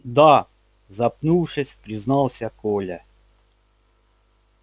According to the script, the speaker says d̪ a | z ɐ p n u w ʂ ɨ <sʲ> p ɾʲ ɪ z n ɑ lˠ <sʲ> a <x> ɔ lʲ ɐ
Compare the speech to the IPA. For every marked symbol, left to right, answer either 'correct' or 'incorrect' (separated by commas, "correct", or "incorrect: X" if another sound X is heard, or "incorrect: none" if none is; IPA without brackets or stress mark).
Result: correct, correct, incorrect: k